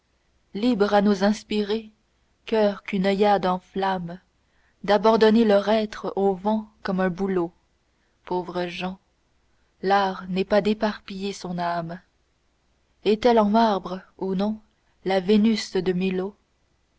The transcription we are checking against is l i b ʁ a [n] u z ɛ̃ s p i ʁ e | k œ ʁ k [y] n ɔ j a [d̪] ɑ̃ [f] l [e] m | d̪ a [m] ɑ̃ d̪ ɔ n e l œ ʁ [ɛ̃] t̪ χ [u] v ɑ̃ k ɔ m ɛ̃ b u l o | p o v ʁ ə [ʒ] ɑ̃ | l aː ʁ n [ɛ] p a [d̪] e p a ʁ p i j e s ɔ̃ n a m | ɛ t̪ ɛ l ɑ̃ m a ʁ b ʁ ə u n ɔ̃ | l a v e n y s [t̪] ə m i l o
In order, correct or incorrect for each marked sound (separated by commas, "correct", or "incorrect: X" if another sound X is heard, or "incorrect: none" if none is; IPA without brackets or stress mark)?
correct, correct, correct, correct, incorrect: a, incorrect: b, incorrect: ɛ, incorrect: o, correct, correct, correct, incorrect: d̪